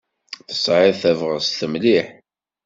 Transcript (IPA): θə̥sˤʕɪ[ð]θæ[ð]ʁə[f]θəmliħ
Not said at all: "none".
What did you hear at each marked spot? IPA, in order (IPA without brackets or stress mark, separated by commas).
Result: ð, v, s